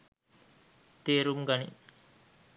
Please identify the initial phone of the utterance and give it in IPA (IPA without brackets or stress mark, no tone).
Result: t̪